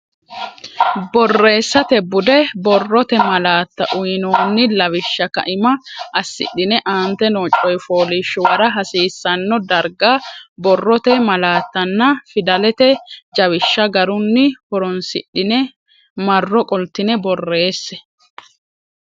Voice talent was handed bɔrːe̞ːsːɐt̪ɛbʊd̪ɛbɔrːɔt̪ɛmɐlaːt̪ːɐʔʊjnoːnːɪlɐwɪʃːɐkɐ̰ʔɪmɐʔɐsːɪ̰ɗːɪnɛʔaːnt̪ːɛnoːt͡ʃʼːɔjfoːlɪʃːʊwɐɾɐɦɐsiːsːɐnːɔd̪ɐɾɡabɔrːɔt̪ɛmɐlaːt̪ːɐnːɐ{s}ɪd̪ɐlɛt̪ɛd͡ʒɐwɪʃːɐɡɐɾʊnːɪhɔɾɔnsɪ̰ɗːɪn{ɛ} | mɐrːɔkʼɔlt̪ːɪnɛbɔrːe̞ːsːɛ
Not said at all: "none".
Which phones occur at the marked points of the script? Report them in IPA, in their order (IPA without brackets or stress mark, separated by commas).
f, ɛ